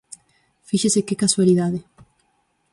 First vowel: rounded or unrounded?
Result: unrounded